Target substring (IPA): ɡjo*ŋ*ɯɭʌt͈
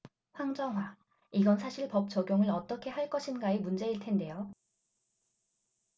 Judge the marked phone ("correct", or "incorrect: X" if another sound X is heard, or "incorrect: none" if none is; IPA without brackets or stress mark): correct